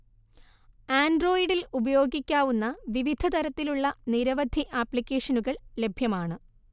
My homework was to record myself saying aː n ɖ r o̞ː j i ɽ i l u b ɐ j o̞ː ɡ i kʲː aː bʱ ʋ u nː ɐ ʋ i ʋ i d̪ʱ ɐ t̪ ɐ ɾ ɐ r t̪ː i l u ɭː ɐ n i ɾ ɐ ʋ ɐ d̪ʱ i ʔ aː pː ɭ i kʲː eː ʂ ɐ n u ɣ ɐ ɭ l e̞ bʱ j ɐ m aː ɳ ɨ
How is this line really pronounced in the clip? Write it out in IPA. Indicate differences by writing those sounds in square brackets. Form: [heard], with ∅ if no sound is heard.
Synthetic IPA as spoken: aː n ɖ r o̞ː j i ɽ i l u b ɐ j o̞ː ɡ i kʲː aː [∅] ʋ u nː ɐ ʋ i ʋ i d̪ʱ ɐ t̪ ɐ ɾ ɐ [∅] t̪ː i l u ɭː ɐ n i ɾ ɐ ʋ ɐ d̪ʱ i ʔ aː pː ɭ i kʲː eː ʂ ɐ n u ɣ ɐ ɭ l e̞ bʱ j ɐ m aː ɳ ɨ